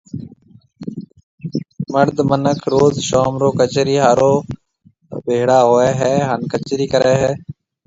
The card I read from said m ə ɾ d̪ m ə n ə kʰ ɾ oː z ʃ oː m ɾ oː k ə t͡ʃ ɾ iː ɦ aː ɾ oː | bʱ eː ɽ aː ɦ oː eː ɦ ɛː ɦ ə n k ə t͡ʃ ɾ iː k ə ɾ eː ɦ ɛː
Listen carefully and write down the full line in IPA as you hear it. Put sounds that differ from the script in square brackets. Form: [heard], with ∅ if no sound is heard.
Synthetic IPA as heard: m ə ɾ d̪ m ə n ə kʰ ɾ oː z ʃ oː m ɾ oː k ə t͡ʃ ɾ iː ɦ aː ɾ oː | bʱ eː ɽ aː ɦ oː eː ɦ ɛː ɦ ə n k ə t͡ʃ ɾ iː k ə ɾ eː ɦ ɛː